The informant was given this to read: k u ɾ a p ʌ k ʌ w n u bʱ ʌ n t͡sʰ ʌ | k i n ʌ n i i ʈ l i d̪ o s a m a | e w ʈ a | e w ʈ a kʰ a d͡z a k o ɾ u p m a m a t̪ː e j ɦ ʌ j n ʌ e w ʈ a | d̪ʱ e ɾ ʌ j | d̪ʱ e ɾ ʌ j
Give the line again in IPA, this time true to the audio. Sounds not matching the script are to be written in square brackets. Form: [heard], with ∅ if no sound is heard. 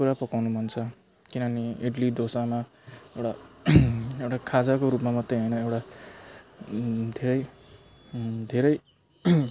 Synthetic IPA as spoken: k u ɾ a p ʌ k [a] w n u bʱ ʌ n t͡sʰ ʌ | k i n ʌ n i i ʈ l i d̪ o s a m a | e w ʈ a | e w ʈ a kʰ a d͡z a k o ɾ u p m a m [ʌ] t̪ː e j ɦ ʌ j n ʌ e w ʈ a | d̪ʱ e ɾ ʌ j | d̪ʱ e ɾ ʌ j